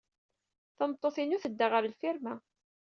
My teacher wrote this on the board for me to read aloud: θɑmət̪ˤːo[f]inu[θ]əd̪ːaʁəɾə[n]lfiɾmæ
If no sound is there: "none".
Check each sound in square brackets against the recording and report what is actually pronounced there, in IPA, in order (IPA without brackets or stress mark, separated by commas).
θ, θ, none